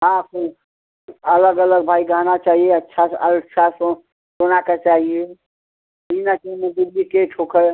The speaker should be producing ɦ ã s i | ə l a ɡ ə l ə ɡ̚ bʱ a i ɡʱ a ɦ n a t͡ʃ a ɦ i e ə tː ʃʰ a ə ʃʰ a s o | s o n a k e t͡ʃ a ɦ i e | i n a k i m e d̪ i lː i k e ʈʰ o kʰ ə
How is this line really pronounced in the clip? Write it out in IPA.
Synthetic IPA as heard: ɦ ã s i | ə l ə ɡ ə l ə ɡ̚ bʱ a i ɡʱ a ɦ n a t͡ʃ a ɦ i e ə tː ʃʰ a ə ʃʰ a s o | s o n a k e t͡ʃ a ɦ i e | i n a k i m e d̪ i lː i k e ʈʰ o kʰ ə